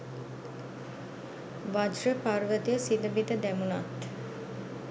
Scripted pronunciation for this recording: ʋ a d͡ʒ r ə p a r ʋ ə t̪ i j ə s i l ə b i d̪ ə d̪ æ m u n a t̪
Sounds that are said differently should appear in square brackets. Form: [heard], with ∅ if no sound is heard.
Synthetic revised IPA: ʋ a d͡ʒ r ə p a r ʋ ə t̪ i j ə s i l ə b i d̪ ə d̪ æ m u n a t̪